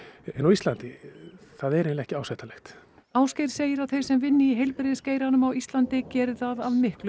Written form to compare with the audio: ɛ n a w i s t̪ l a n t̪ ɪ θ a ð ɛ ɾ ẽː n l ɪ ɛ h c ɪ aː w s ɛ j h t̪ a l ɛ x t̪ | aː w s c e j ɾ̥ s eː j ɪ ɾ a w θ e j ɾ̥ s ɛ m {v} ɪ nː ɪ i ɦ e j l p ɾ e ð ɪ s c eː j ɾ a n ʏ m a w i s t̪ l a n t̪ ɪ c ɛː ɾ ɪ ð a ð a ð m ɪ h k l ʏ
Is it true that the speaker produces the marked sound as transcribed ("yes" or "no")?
yes